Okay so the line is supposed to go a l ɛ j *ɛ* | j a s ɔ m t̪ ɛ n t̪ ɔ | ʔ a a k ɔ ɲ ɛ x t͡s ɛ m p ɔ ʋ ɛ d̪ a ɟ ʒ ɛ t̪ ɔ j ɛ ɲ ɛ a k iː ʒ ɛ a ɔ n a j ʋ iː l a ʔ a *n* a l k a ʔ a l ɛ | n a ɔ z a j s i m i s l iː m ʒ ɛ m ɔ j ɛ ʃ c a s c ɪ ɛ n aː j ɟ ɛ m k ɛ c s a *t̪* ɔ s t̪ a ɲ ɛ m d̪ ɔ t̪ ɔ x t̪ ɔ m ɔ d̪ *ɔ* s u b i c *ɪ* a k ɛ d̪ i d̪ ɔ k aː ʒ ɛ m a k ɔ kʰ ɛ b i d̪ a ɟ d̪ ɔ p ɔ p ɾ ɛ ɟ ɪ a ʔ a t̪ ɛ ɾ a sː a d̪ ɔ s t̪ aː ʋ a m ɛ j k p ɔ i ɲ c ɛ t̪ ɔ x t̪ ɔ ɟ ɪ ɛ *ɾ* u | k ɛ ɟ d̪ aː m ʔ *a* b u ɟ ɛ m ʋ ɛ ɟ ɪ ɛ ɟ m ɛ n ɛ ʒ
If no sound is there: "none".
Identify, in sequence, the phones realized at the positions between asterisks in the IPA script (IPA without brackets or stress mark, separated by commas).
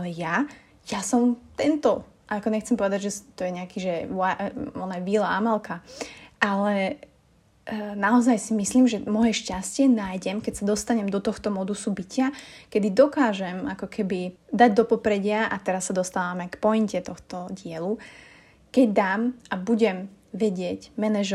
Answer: a, m, d̪, u, ɪ, l, a